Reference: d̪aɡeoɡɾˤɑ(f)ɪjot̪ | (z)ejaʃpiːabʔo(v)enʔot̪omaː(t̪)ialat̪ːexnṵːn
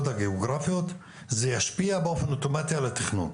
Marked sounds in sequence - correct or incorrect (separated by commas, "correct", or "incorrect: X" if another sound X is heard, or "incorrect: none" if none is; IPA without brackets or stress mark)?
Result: correct, correct, incorrect: f, correct